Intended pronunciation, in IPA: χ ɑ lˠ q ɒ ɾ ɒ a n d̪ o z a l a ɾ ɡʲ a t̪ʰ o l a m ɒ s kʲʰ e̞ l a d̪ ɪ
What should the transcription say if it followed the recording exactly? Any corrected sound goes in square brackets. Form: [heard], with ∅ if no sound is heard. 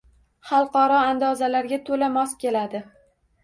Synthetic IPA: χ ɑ lˠ q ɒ ɾ ɒ a n d̪ [ɒ] z a l a ɾ ɡʲ a t̪ʰ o l a m ɒ s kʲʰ e̞ l a d̪ ɪ